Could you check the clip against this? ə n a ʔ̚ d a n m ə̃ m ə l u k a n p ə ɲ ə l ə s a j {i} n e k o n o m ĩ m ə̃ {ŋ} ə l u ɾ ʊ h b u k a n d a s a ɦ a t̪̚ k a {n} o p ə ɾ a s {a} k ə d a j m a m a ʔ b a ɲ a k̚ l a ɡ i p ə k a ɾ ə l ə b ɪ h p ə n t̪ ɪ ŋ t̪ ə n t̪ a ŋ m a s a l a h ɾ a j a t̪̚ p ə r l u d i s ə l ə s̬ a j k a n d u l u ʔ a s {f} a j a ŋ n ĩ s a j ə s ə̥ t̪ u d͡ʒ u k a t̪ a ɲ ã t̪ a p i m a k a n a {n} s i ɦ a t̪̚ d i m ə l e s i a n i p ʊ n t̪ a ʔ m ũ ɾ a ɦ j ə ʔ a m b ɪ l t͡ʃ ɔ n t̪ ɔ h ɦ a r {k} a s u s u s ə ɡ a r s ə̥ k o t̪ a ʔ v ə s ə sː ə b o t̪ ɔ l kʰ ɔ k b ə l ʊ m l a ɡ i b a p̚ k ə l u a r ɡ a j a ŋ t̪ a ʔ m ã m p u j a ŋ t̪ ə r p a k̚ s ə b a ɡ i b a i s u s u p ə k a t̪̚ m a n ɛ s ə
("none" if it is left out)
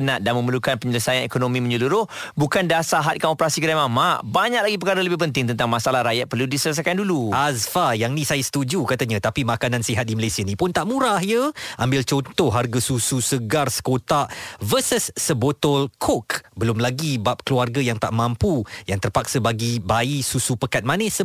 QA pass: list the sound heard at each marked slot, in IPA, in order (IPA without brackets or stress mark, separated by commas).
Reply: a, ɲ, n, i, f, n, ɡ